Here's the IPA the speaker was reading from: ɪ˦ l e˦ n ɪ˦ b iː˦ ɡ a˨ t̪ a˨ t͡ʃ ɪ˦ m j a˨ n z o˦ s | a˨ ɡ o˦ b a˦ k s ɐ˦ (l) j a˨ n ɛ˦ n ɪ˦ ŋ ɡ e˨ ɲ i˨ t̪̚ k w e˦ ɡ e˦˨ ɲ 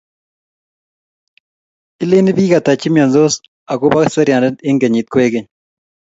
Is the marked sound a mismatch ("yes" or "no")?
yes